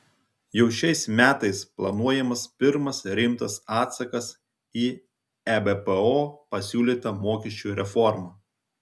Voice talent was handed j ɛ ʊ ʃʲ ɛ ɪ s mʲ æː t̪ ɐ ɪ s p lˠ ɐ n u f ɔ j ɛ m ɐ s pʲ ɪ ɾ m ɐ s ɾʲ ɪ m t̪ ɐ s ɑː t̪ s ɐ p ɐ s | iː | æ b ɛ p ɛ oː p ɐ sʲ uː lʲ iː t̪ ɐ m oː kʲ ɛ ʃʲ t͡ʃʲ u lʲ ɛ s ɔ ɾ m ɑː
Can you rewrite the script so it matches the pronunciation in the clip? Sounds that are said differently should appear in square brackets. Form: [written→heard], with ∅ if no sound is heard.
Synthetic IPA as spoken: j ɛ ʊ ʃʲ ɛ ɪ s mʲ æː t̪ ɐ ɪ s p lˠ ɐ n u [f→∅] ɔ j ɛ m ɐ s pʲ ɪ ɾ m ɐ s ɾʲ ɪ m t̪ ɐ s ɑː t̪ s ɐ [p→k] ɐ s | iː | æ b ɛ p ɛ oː p ɐ sʲ uː lʲ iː t̪ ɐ m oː kʲ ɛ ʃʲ t͡ʃʲ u [lʲ→ɾʲ] ɛ [s→f] ɔ ɾ m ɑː